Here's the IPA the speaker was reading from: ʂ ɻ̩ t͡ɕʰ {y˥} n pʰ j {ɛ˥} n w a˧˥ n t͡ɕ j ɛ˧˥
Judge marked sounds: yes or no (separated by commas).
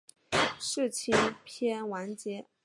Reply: no, yes